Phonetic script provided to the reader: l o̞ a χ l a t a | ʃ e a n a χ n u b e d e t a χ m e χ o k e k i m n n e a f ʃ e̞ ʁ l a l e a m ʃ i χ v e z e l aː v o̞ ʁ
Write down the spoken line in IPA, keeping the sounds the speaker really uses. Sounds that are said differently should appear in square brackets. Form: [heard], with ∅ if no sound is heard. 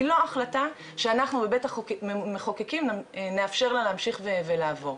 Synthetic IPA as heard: l o̞ a χ l a t a | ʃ e a n a χ n u b e [b] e t a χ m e χ o k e k i m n n e a f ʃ e̞ ʁ l a l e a m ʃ i χ v e [v] e l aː v o̞ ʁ